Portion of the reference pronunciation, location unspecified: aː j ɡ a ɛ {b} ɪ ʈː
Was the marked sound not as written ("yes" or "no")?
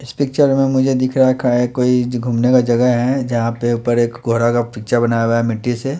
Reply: yes